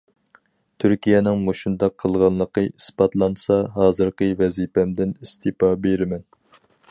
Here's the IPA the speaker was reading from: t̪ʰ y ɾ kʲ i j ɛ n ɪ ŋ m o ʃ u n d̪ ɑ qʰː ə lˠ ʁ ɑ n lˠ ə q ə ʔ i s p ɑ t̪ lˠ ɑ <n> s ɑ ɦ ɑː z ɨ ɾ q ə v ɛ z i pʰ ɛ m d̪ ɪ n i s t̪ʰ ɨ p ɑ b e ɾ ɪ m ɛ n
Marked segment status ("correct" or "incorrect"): correct